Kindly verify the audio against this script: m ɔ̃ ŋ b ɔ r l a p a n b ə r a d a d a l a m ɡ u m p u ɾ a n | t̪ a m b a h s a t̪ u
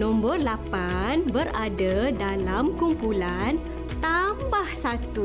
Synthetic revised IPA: n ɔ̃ m b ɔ r l a p a n b ə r a d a d a l a m k u m p u l a n | t̪ a m b a h s a t̪ u